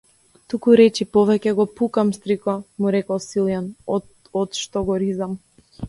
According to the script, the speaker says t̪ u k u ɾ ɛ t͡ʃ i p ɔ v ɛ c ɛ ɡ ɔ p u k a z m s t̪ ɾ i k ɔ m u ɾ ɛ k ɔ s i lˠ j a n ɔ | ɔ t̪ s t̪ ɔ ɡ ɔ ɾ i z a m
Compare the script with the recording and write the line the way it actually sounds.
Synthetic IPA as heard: t̪ u k u ɾ ɛ t͡ʃ i p ɔ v ɛ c ɛ ɡ ɔ p u k a m s t̪ ɾ i k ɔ m u ɾ ɛ k ɔ s i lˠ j a n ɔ | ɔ t̪ ʃ t̪ ɔ ɡ ɔ ɾ i z a m